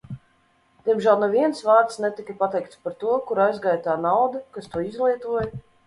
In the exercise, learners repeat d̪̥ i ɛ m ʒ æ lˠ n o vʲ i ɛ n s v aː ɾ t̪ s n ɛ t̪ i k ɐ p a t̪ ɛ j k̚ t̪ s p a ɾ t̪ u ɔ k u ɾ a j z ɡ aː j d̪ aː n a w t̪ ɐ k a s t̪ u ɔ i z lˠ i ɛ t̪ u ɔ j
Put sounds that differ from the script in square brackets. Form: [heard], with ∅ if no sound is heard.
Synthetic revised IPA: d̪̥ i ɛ m ʒ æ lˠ n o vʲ i ɛ n s v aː ɾ t̪ s n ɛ t̪ i k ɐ p a t̪ ɛ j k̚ t̪ s p a ɾ t̪ u ɔ k u ɾ a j z ɡ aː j [t̪] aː n a w [d̪] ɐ k a s t̪ u ɔ i z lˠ i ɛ t̪ u ɔ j